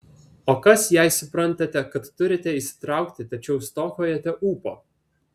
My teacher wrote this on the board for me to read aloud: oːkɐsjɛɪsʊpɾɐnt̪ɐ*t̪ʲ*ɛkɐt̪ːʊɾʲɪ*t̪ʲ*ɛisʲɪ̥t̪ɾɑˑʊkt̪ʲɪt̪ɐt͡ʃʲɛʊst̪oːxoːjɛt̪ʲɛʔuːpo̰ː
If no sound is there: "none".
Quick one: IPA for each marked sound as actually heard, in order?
t̪ʲ, t̪ʲ

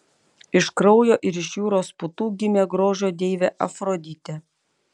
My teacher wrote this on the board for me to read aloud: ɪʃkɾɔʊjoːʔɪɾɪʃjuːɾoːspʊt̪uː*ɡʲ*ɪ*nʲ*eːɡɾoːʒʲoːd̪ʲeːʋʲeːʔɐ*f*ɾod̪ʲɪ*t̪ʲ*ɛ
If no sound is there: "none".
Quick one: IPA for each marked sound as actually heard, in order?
ɡʲ, mʲ, f, t̪ʲ

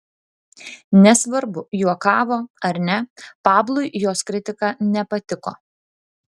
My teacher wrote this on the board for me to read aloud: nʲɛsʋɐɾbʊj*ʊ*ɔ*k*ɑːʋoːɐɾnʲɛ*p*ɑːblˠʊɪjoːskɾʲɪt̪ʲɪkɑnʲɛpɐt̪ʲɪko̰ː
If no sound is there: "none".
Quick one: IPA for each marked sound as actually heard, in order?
u, k, p

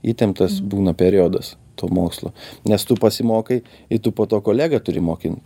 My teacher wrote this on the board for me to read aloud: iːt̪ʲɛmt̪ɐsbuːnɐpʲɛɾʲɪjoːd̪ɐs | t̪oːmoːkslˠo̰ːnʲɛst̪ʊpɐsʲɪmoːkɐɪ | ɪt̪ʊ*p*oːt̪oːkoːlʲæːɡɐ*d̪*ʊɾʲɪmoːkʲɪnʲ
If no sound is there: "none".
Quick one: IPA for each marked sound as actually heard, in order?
p, t̪

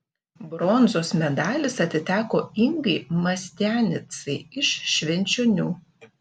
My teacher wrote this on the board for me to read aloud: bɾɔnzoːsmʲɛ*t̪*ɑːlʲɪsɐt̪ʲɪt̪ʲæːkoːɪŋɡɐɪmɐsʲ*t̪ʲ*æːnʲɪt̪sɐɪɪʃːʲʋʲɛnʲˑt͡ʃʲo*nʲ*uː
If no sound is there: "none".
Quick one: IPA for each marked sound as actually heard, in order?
d̪, t̪ʲ, nʲ

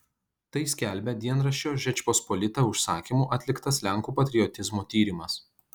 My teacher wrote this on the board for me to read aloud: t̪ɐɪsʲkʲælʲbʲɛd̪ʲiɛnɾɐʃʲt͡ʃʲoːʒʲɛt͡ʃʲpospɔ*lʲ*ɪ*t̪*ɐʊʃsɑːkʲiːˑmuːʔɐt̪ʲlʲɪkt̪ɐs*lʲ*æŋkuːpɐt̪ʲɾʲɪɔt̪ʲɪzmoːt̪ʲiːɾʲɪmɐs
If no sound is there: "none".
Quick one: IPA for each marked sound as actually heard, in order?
lʲ, t̪, lʲ

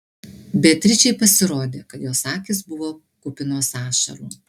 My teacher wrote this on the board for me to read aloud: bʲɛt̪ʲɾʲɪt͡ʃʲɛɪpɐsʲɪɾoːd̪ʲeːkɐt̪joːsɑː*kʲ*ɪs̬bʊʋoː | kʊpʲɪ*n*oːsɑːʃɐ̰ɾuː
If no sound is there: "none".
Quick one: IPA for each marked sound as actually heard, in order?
kʲ, n

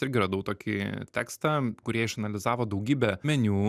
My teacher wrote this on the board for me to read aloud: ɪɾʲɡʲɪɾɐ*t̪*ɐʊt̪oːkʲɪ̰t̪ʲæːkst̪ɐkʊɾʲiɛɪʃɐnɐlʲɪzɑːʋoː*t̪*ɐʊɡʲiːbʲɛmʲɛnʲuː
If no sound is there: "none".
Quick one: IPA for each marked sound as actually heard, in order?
d̪, d̪

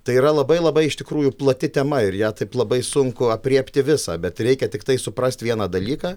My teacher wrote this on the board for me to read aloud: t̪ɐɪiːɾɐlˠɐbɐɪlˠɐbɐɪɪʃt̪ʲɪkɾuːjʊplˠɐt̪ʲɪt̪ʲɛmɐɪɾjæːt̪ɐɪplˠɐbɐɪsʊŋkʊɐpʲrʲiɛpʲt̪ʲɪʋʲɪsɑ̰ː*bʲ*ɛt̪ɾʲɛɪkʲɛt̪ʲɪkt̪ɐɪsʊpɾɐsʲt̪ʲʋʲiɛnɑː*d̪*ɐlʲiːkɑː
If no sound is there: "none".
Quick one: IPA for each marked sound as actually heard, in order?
bʲ, d̪

